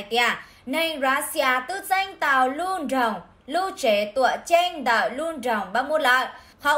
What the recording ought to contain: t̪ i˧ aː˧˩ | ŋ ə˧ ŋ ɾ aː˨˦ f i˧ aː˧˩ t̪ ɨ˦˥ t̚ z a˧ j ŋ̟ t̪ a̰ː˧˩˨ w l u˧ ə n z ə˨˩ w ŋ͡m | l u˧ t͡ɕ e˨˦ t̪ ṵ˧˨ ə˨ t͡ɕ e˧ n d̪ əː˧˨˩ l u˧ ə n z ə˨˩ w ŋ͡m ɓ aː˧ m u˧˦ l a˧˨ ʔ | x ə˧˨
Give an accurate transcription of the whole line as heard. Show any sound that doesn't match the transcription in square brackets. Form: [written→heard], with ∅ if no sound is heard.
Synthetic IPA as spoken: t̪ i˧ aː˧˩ | [ŋ→n] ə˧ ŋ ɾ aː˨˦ [f→s] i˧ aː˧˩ t̪ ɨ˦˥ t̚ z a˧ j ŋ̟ t̪ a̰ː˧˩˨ w l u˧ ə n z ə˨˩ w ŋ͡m | l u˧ t͡ɕ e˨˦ t̪ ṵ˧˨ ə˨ t͡ɕ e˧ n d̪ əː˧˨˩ l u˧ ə n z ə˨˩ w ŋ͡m ɓ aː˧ m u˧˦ l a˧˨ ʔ | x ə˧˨